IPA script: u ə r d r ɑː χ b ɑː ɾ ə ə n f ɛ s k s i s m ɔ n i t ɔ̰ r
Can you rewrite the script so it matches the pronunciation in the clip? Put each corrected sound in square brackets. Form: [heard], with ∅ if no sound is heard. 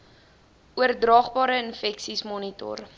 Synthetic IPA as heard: u ə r d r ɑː χ b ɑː ɾ ə ə n f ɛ [∅] k s i s m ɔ n i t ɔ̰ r